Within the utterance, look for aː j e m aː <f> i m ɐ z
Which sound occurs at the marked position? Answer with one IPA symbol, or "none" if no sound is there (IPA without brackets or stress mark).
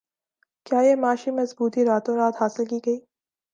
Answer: ʃ